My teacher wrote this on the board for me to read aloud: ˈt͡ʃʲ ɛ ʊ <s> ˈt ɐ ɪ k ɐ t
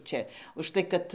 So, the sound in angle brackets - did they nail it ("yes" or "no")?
no